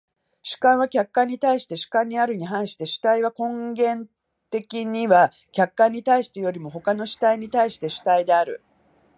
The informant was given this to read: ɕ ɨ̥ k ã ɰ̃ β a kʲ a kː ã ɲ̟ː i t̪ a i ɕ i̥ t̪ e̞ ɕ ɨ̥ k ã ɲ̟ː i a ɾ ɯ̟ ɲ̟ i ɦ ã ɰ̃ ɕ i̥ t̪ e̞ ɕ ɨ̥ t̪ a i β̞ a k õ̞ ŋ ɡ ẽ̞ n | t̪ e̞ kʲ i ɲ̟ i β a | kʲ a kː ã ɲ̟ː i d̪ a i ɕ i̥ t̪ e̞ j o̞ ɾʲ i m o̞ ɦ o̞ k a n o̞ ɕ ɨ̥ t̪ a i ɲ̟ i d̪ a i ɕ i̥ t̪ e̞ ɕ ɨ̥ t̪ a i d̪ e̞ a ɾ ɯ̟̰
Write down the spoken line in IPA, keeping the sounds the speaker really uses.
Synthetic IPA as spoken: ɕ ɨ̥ k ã ɰ̃ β a kʲ a kː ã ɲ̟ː i t̪ a i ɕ i̥ t̪ e̞ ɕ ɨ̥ k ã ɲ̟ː i a ɾ ɯ̟ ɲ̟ i ɦ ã ɰ̃ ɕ i̥ t̪ e̞ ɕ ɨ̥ t̪ a i β̞ a k õ̞ ŋ ɡ ẽ̞ n | t̪ e̞ kʲ i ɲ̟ i β a | kʲ a kː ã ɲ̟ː i t̪ a i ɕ i̥ t̪ e̞ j o̞ ɾʲ i m o̞ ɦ o̞ k a n o̞ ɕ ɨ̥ t̪ a i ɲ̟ i t̪ a i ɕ i̥ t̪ e̞ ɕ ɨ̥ t̪ a i d̪ e̞ a ɾ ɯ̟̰